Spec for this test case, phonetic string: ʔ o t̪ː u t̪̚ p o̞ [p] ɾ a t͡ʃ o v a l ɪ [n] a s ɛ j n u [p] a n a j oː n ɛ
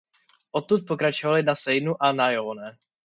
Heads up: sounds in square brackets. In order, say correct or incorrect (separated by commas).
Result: incorrect, correct, incorrect